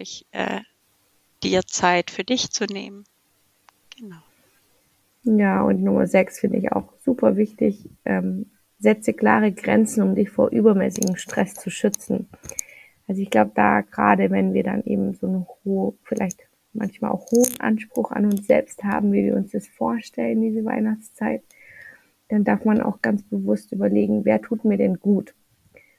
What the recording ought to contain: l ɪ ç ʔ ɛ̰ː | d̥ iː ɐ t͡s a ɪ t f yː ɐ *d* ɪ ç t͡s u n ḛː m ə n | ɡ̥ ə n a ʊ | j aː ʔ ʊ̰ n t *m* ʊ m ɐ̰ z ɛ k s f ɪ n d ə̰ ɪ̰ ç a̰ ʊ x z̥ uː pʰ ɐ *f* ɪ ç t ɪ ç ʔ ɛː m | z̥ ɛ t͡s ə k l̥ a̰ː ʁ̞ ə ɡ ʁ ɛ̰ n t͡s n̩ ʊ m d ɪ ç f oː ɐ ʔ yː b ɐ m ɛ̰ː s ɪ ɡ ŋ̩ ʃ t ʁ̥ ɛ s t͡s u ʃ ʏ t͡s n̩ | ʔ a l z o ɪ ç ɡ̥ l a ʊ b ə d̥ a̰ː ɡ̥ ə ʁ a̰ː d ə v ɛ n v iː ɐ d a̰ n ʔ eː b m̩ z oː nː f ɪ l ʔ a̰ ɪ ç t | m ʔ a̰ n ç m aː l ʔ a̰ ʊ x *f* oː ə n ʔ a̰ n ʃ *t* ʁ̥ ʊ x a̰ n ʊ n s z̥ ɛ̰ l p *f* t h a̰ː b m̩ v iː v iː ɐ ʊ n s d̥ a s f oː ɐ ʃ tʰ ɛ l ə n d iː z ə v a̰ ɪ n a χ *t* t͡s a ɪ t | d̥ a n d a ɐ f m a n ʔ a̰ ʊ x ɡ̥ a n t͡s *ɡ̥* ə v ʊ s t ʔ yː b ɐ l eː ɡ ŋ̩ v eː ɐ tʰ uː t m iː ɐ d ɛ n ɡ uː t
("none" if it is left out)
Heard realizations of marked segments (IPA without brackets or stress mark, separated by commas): d, n, v, h, p, s, t͡s, b̥